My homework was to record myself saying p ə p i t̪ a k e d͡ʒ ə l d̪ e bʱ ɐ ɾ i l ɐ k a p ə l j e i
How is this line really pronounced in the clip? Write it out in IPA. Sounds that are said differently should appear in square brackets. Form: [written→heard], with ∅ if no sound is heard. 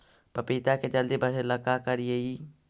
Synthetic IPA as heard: p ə p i t̪ a k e d͡ʒ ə l d̪ [e→i] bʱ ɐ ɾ [i→e] l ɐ k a [p→k] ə [l→ɾ] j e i